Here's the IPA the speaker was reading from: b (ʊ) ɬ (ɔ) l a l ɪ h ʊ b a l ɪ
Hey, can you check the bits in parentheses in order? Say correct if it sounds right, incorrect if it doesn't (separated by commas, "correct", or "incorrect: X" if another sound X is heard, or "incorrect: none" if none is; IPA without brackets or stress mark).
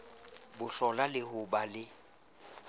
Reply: correct, correct